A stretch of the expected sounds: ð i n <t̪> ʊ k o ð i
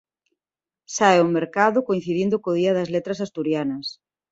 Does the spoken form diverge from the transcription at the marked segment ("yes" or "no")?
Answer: yes